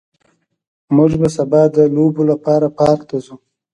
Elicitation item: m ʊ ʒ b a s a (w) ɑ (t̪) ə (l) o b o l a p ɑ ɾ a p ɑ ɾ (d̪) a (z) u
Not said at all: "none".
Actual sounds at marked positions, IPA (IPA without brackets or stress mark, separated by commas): b, d̪, l, t̪, z